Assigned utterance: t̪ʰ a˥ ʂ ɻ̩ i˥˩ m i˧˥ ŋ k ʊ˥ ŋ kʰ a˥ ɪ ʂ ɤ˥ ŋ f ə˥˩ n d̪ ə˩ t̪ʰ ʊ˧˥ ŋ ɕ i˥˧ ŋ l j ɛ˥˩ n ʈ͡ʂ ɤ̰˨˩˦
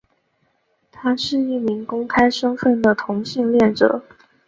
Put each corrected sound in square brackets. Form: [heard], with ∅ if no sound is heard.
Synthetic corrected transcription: t̪ʰ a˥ ʂ ɻ̩ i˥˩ m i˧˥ ŋ k ʊ˥ ŋ kʰ a˥ ɪ ʂ ɤ˥ ŋ f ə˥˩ n d̪ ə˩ t̪ʰ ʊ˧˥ ŋ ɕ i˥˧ ŋ l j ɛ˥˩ n ʈ͡ʂ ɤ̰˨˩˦